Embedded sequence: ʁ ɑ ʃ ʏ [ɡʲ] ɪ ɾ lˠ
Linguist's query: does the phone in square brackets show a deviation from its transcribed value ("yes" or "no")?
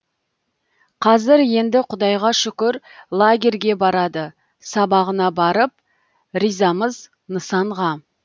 yes